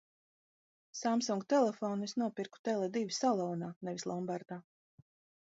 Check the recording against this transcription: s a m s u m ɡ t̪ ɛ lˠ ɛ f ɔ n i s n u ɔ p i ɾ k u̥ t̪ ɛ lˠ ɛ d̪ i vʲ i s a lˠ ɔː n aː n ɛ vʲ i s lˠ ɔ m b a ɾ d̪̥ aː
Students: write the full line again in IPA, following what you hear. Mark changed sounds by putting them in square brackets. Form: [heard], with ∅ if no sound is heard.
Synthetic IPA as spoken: s a m s u [ŋ] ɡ t̪ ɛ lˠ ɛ f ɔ n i s n u ɔ p i ɾ k u̥ t̪ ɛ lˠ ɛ d̪ i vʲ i s a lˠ ɔː n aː n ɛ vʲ i s lˠ ɔ m b a ɾ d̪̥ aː